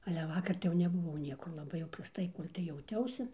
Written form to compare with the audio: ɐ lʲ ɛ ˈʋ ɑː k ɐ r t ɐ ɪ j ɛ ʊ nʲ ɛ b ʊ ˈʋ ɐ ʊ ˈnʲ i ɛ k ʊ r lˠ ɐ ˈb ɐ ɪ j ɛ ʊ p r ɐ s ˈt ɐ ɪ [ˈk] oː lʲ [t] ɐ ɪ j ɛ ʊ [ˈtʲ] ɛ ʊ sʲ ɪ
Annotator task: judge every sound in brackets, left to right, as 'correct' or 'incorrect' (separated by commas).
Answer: correct, correct, correct